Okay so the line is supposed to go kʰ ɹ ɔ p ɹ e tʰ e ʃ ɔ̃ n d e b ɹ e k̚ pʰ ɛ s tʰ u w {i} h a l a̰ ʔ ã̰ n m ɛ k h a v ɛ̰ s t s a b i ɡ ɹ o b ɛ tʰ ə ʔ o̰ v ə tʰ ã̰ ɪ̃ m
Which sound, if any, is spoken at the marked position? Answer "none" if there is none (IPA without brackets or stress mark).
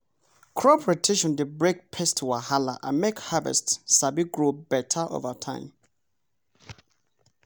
a